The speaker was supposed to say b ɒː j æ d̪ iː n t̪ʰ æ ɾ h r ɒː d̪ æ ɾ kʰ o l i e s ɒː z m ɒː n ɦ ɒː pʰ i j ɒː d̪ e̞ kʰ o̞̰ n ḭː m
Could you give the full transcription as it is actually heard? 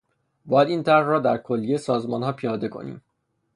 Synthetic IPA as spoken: b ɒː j æ d̪ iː n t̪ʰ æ ɾ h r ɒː d̪ æ ɾ kʰ o lː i e s ɒː z m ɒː n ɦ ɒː pʰ i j ɒː d̪ e̞ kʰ o̞̰ n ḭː m

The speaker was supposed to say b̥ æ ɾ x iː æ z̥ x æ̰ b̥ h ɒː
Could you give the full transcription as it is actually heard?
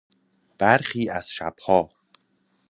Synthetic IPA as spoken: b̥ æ ɾ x iː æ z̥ ʃ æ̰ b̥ h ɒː

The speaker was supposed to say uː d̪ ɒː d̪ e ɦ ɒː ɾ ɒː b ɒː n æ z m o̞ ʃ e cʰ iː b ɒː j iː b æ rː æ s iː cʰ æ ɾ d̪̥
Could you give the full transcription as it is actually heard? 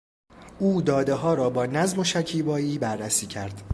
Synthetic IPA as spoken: uː d̪ ɒː d̪ e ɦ ɒː ɾ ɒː b ɒː n æ z m o̞ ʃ æ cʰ iː b ɒː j iː b æ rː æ s iː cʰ æ ɾ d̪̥

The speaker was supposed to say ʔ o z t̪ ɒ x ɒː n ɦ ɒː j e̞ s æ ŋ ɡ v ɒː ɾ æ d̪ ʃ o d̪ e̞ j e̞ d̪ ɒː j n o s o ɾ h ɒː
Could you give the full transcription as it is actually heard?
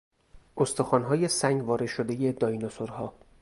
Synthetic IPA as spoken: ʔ o s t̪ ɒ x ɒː n ɦ ɒː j e̞ s æ ŋ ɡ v ɒː ɾ e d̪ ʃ o d̪ e̞ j e̞ d̪ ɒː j n o s o ɾ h ɒː

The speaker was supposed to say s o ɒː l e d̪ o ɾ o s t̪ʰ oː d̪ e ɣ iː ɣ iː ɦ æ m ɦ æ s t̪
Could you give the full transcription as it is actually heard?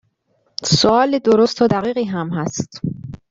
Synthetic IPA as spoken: s o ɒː l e d̪ o ɾ o s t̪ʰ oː d̪ æ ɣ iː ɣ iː ɦ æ m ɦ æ s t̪

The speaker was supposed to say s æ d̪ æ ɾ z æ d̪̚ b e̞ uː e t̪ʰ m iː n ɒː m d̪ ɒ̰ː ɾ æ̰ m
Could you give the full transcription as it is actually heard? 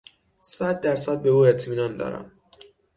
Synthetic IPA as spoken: s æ d̪ː æ ɾ s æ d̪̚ b e̞ uː e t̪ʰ m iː n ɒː n d̪ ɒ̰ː ɾ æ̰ m

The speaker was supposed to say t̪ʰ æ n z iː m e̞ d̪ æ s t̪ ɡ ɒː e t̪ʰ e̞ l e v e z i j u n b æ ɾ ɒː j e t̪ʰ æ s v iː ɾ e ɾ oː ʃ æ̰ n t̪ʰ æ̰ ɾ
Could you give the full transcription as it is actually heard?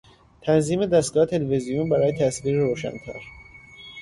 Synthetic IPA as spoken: t̪ʰ æ n z iː m e̞ d̪ æ s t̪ ɡ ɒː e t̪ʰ e̞ l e v e z i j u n b æ ɾ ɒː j e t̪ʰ æ s v iː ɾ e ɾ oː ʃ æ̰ n t̪ʰ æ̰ ɾ

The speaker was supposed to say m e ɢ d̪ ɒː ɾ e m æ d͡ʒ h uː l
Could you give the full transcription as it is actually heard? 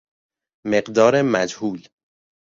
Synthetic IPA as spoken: m e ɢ d̪ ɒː ɾ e m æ d͡ʒ h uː l

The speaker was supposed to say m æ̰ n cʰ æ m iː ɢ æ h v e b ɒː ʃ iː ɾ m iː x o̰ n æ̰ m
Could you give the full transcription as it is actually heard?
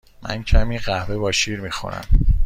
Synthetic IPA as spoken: m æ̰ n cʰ æ m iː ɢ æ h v e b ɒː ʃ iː ɾ m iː x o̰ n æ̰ m

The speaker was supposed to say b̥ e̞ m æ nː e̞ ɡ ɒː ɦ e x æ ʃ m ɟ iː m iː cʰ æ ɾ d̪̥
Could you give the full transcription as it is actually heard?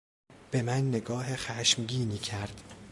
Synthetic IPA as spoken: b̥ e̞ m æ nː e̞ ɡ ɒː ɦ e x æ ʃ m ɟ iː n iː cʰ æ ɾ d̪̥

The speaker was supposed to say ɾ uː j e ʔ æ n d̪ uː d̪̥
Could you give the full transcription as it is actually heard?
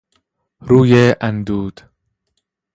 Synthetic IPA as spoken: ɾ uː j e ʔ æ n d̪ uː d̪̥

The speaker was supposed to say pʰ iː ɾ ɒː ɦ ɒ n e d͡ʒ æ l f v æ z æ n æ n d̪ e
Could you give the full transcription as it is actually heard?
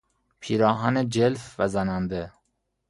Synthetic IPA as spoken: pʰ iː ɾ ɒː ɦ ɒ n e d͡ʒ e l f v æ z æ n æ n d̪ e

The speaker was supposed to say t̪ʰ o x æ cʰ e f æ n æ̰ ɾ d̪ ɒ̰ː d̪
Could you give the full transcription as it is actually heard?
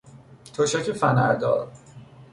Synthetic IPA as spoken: t̪ʰ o ʃ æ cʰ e f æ n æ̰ ɾ d̪ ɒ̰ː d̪

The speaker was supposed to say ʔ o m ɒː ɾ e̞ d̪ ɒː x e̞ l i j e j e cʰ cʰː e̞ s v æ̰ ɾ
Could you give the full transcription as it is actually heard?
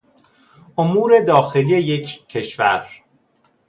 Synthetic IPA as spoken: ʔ o m uː ɾ e̞ d̪ ɒː x e̞ l i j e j e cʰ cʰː e̞ ʃ v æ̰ ɾ

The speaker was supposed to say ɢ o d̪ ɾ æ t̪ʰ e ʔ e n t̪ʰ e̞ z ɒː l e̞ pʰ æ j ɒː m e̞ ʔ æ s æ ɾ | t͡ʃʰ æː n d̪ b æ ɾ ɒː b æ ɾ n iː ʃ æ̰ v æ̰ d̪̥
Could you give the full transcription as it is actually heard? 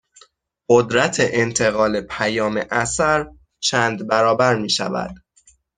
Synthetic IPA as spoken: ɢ o d̪ ɾ æ t̪ʰ e ʔ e n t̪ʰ e̞ ɣ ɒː l e̞ pʰ æ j ɒː m e̞ ʔ æ s æ ɾ | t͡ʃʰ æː n d̪ b æ ɾ ɒː b æ ɾ m iː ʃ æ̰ v æ̰ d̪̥

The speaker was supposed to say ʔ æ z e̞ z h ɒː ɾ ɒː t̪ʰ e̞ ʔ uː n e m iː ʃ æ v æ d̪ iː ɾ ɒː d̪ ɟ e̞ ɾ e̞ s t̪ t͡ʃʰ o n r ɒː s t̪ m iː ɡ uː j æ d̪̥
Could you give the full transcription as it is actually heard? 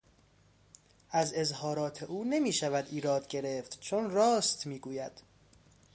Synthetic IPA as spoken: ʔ æ z e̞ z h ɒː ɾ ɒː t̪ʰ e̞ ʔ uː n e m iː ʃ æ v æ d̪ iː ɾ ɒː d̪ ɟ e̞ ɾ e̞ f t̪ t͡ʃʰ o n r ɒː s t̪ m iː ɡ uː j æ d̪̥

